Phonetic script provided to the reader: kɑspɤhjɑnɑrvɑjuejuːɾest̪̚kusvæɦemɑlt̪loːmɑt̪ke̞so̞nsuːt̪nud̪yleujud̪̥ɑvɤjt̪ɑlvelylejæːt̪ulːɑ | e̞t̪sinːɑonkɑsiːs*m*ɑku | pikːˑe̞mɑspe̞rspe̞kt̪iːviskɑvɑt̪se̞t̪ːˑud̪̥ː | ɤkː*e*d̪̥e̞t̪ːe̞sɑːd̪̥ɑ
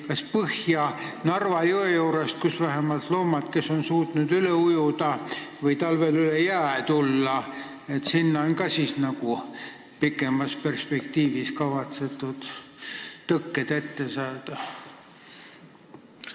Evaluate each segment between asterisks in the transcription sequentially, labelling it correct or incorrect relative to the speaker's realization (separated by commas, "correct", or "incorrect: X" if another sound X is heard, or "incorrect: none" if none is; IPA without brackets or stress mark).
incorrect: n, correct